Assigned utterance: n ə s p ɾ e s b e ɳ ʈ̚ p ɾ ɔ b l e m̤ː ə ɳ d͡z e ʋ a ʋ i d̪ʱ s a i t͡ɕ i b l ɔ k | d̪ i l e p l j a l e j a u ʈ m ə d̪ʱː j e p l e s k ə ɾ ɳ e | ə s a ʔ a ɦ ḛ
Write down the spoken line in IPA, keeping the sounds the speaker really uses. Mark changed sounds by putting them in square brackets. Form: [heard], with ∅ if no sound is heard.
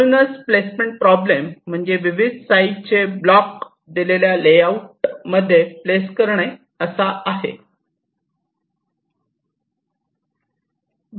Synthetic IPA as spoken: n ə s p [l] e s [m] e ɳ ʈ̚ p ɾ ɔ b l e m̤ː ə ɳ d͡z e ʋ [i] ʋ i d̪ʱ s a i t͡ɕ [e] b l ɔ k | d̪ i l e [∅] l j a l e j a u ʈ m ə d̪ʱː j e p l e s k ə ɾ ɳ e | ə s a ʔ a ɦ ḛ